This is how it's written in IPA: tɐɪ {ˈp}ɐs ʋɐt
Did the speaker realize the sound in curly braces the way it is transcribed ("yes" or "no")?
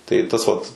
no